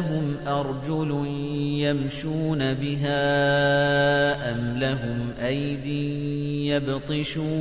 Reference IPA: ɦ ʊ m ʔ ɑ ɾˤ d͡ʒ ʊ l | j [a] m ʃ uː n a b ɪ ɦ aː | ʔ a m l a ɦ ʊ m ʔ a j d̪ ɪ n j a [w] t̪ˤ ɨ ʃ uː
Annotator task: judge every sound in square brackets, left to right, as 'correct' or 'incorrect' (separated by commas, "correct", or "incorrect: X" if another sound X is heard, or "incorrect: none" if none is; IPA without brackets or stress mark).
correct, incorrect: b